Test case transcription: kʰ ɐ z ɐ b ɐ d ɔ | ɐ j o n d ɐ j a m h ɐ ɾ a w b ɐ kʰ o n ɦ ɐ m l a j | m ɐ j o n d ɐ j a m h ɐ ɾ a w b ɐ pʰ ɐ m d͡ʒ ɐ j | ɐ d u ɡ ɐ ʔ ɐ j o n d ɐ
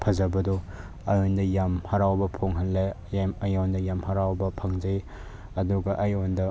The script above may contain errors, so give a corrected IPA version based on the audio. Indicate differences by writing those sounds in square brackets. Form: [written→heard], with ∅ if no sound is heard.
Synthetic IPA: [kʰ→pʰ] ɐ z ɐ b ɐ d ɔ | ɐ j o n d ɐ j a m h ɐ ɾ a w b ɐ [kʰ→pʰ] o [n→ŋ] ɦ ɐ [m→n] l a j | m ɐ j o n d ɐ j a m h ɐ ɾ a w b ɐ pʰ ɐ [m→ŋ] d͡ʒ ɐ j | ɐ d u ɡ ɐ ʔ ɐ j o n d ɐ